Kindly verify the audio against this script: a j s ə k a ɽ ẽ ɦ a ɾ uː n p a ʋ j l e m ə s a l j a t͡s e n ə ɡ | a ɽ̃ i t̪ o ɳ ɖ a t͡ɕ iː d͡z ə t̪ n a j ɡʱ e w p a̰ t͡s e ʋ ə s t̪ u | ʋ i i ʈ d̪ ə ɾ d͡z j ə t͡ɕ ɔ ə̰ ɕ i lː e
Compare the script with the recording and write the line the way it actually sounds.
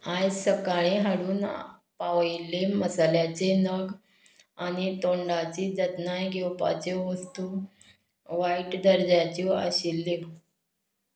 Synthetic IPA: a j s ə k a ɭ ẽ ɦ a ɽ uː n p a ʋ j l e m ə s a l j a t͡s e n ə ɡ | a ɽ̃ i t̪ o ɳ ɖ a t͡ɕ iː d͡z ə t̪ n a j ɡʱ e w p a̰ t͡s e ʋ ə s t̪ u | ʋ a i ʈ d̪ ə ɾ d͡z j a t͡ɕ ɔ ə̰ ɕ i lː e